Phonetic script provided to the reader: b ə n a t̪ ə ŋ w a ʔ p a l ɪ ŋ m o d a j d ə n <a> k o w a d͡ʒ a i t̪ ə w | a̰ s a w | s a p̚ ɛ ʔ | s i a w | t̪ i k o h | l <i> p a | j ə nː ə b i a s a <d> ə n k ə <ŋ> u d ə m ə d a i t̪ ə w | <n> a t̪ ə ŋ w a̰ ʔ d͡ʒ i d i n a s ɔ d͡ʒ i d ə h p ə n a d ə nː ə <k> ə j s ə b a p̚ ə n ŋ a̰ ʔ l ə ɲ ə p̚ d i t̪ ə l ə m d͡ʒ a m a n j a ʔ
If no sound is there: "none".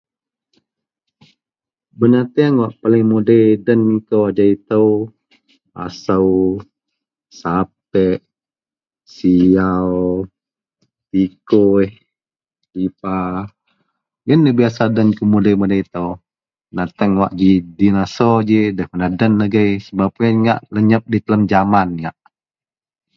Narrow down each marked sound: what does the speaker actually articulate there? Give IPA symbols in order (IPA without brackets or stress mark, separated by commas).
i, i, d, m, n, ɡ